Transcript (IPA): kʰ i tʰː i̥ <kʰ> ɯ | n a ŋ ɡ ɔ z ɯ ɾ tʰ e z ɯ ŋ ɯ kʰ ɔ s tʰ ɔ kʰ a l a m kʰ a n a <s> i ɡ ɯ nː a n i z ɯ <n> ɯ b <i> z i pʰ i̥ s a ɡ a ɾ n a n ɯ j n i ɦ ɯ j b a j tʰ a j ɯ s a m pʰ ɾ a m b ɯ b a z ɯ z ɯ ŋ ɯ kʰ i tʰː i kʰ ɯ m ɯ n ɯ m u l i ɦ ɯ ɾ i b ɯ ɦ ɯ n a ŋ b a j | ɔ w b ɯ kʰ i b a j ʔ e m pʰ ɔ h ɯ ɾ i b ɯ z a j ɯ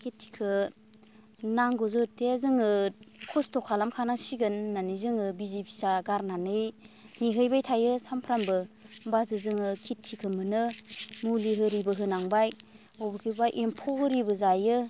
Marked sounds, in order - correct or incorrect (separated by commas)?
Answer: correct, correct, incorrect, correct